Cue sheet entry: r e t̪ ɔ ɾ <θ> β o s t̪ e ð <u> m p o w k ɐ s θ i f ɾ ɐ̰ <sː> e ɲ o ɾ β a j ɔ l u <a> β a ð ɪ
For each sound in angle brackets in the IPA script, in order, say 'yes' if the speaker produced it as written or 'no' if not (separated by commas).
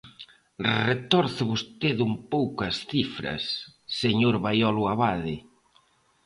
yes, yes, yes, yes